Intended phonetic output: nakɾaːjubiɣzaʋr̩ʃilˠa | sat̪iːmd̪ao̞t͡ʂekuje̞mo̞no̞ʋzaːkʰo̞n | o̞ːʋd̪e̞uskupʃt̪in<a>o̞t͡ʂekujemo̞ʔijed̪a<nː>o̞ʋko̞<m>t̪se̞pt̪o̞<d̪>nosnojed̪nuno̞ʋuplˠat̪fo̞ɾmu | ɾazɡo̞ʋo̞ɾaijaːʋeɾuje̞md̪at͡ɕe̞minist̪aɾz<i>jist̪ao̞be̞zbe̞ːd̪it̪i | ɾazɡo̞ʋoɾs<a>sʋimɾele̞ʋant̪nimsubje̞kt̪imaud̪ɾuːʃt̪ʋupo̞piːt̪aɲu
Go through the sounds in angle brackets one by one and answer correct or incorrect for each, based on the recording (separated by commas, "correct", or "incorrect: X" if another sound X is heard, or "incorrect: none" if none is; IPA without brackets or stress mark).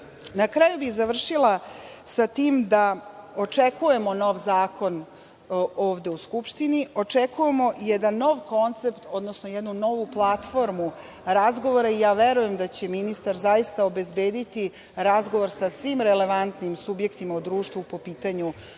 incorrect: i, correct, incorrect: n, correct, incorrect: a, correct